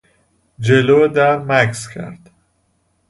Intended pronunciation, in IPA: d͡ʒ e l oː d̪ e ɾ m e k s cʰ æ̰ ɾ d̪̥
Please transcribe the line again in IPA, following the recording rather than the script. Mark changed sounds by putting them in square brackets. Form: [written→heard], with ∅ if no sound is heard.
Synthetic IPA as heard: d͡ʒ e l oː d̪ [e→æ] ɾ m [e→æ] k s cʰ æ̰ ɾ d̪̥